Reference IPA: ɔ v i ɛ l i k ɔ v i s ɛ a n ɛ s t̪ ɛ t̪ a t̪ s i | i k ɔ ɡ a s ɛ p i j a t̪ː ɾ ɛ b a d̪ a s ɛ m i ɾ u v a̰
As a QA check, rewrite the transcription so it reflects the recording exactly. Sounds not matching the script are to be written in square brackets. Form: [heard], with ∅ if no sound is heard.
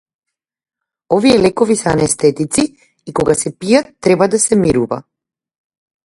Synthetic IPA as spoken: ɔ v i ɛ l [ɛ] k ɔ v i s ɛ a n ɛ s t̪ ɛ t̪ [i] t̪ s i | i k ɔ ɡ a s ɛ p i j a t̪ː ɾ ɛ b a d̪ a s ɛ m i ɾ u v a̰